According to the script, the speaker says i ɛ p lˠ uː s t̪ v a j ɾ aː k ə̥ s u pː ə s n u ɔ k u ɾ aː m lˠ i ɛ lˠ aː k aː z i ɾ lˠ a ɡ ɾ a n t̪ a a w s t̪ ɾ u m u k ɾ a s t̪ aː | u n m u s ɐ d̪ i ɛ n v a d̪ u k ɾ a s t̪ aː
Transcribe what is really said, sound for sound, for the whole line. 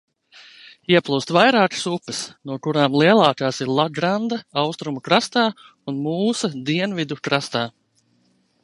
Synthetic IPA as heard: i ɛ p lˠ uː s t̪ v a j ɾ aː k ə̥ s u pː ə s n u ɔ k u ɾ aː m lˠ i ɛ lˠ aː k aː s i ɾ lˠ a ɡ ɾ a n d̪ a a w s t̪ ɾ u m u k ɾ a s t̪ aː | u n m uː s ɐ d̪ i ɛ n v i d̪ u k ɾ a s t̪ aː